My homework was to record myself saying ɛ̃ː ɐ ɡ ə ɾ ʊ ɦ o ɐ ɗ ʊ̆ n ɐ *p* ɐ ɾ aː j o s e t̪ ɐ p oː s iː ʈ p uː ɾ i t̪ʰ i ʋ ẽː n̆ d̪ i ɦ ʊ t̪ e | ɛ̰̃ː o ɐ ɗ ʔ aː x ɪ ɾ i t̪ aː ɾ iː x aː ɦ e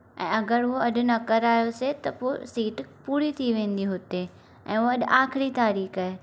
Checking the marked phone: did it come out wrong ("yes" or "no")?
yes